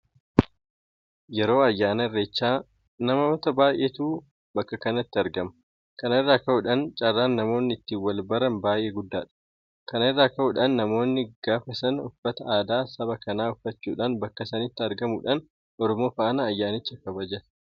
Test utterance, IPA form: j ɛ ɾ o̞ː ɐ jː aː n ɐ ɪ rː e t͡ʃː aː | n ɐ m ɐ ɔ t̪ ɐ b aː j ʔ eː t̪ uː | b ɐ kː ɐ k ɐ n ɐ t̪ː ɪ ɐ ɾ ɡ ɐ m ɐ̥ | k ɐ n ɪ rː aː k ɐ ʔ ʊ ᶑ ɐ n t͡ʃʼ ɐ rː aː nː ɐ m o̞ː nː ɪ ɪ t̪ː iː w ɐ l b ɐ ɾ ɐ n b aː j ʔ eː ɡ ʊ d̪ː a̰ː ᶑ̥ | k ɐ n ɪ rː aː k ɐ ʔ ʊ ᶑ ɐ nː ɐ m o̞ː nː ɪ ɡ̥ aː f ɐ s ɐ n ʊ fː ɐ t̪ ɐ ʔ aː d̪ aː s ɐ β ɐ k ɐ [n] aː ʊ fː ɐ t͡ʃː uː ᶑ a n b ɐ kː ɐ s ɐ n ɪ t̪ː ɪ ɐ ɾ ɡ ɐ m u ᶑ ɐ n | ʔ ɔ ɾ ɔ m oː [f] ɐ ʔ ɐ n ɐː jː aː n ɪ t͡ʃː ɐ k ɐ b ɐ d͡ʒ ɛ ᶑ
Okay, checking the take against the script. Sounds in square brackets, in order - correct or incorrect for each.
correct, correct

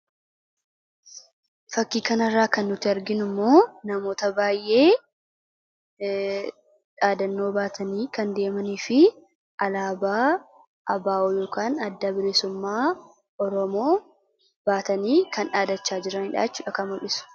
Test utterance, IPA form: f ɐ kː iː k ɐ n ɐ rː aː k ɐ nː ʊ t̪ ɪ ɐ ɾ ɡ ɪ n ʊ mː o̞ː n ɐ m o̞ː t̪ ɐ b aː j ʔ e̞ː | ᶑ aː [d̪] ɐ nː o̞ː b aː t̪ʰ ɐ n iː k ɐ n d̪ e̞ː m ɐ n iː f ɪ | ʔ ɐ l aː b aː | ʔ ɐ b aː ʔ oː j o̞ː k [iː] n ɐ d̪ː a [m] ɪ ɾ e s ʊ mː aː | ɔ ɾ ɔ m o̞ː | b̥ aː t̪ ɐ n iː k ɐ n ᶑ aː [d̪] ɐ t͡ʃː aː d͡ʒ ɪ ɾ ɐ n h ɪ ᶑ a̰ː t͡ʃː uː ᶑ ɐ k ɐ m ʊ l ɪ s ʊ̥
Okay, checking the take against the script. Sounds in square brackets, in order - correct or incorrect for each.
correct, incorrect: aː, incorrect: b, correct

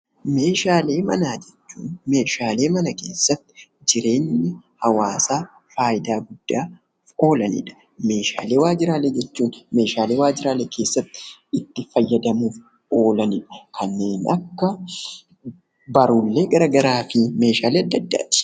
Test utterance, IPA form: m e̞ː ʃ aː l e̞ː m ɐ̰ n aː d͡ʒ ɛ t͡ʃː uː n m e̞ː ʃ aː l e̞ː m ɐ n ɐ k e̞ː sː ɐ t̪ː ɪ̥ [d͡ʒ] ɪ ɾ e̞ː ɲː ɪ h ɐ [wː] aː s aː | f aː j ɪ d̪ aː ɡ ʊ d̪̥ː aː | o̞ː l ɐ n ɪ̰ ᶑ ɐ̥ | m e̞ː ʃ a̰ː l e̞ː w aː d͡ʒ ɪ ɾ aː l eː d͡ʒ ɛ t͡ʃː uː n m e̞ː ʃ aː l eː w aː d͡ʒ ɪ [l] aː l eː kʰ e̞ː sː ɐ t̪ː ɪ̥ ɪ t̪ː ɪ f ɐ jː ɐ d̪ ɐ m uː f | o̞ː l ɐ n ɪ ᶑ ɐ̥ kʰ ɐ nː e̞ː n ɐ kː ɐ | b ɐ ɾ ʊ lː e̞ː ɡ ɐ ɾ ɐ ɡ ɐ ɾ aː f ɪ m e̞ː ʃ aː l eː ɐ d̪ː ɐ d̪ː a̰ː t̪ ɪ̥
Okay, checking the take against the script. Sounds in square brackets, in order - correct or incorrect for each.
correct, incorrect: w, incorrect: ɾ

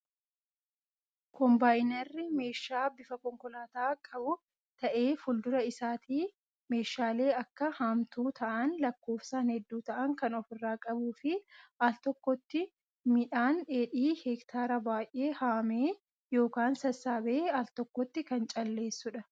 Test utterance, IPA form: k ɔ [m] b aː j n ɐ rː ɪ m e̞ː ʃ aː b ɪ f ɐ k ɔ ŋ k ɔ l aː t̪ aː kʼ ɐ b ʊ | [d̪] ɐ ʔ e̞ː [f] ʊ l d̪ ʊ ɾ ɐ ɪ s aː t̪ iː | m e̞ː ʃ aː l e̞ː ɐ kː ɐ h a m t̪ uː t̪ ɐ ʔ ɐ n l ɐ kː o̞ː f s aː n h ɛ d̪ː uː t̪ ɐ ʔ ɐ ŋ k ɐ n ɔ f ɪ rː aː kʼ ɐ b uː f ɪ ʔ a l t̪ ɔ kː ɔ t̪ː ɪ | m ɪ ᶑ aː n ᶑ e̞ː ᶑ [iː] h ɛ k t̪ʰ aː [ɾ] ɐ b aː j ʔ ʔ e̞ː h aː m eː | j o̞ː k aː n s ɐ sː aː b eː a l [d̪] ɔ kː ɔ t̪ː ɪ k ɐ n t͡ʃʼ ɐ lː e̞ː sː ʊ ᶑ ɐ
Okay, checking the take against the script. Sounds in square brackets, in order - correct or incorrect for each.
correct, incorrect: t̪, correct, correct, correct, incorrect: t̪

